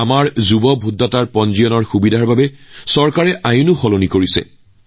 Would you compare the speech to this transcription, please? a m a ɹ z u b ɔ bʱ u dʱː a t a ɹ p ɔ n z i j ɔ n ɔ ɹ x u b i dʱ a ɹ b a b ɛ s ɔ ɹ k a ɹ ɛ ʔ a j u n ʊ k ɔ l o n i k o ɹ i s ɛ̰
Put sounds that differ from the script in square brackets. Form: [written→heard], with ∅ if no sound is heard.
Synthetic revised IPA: a m a ɹ z u b ɔ bʱ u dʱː a t a ɹ p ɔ n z i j ɔ n ɔ ɹ x u b i dʱ a ɹ b a b ɛ s ɔ ɹ k a ɹ ɛ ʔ a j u n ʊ [k→x] ɔ l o n i k o ɹ i s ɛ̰